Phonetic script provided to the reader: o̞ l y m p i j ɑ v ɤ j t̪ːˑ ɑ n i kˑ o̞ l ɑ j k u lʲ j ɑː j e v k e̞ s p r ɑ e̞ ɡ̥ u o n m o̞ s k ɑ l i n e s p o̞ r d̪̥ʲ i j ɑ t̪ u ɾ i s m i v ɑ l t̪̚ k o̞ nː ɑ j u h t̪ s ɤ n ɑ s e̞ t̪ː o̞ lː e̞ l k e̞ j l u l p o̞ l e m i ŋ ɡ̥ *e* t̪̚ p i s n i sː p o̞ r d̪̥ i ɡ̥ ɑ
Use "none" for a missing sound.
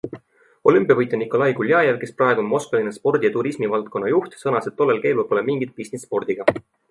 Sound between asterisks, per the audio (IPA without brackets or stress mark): i